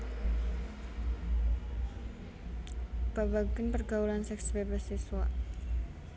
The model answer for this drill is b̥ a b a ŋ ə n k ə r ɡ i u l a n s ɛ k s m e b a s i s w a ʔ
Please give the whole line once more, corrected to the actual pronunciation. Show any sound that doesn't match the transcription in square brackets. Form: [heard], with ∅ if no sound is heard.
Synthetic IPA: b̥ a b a [ɡ] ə n [p] ə r ɡ [a] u l a n s ɛ k s [b] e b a s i s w a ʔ